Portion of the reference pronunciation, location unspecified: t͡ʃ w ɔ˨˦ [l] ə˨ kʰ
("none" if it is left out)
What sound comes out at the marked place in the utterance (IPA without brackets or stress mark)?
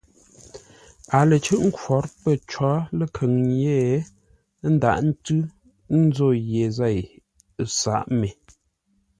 l